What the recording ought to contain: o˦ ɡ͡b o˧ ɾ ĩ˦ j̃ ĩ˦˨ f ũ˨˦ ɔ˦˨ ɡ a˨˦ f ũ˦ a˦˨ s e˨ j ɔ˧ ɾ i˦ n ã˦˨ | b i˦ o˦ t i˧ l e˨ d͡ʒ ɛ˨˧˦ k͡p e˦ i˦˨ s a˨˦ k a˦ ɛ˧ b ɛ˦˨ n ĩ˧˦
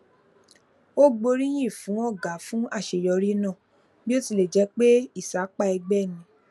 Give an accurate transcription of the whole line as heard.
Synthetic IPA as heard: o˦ ɡ͡b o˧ ɾ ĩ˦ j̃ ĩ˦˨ f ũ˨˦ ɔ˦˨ ɡ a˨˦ f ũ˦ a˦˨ ʃ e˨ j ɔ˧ ɾ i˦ n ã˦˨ | b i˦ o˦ t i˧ l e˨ d͡ʒ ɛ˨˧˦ k͡p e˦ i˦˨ s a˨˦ k͡p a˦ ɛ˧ ɡ͡b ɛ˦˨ n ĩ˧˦